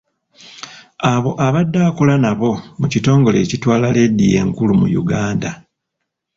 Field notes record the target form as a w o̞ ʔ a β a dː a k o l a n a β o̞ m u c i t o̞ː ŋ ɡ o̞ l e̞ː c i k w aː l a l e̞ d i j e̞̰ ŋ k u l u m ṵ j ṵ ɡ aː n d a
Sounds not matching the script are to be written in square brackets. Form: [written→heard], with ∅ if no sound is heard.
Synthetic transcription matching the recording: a [w→β] o̞ ʔ a β a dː a k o l a n a β o̞ m u c i t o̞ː ŋ ɡ o̞ l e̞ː c i [k→t] w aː l a l e̞ d i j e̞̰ ŋ k u l u m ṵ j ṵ ɡ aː n d a